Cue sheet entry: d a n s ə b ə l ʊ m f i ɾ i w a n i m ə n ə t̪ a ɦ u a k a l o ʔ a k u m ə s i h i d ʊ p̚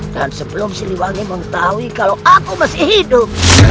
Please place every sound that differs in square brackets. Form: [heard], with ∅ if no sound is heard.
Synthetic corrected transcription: d a n s ə b ə l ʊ m [s] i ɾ i w a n i m ə [ŋ] ə t̪ a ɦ u [i] k a l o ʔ a k u m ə s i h i d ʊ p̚